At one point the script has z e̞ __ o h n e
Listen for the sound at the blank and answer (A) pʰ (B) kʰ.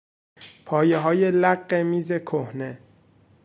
B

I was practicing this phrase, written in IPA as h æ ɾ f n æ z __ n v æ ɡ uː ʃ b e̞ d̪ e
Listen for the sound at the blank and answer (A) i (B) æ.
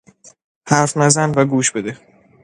B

